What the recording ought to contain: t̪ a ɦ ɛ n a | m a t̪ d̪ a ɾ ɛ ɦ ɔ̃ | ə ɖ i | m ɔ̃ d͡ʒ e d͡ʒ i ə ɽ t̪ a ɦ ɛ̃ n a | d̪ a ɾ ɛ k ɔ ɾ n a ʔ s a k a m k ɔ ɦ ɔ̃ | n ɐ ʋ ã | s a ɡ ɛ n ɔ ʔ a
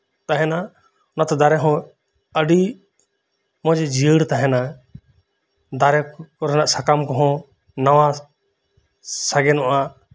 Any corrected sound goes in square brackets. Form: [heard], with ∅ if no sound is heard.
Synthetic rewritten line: t̪ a ɦ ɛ n a | [n] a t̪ d̪ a ɾ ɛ ɦ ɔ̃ | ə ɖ i | m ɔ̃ d͡ʒ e d͡ʒ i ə ɽ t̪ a ɦ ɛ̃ n a | d̪ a ɾ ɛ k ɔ ɾ n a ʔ s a k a m k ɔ ɦ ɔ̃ | n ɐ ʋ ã | s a ɡ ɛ n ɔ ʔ a